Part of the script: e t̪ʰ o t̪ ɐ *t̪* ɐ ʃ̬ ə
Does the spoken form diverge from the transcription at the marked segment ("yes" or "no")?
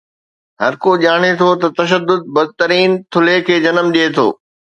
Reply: no